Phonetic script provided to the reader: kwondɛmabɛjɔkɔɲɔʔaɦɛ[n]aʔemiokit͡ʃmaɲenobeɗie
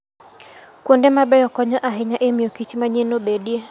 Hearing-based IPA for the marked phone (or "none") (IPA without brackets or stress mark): ɲ